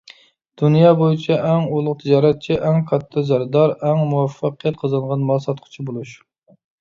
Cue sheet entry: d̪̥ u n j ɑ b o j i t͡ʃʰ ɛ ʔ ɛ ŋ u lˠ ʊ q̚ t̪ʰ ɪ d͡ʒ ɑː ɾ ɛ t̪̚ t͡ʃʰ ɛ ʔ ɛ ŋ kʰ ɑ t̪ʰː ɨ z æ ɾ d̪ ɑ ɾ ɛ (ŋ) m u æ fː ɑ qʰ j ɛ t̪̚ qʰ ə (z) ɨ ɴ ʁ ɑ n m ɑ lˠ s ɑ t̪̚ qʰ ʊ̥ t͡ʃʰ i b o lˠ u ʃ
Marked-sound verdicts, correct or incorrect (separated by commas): correct, correct